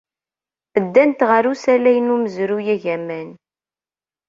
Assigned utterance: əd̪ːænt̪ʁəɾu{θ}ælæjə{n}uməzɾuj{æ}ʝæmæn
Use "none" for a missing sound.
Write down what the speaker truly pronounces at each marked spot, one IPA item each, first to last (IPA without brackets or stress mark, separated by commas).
s, n, æ